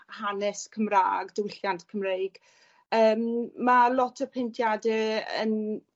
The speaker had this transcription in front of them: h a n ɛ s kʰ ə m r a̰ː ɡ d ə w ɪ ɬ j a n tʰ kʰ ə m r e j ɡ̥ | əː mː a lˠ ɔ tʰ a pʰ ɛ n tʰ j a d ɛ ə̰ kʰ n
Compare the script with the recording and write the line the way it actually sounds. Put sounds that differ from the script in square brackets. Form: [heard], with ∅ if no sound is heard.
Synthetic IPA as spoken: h a n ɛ s kʰ ə m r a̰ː ɡ d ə w ɪ ɬ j a n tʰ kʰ ə m r e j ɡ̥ | əː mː a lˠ ɔ tʰ [ə] pʰ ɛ n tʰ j a d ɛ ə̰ [∅] n